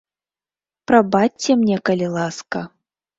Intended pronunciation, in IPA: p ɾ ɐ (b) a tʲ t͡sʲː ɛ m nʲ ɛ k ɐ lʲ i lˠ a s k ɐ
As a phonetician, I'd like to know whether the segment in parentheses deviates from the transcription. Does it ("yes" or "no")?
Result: no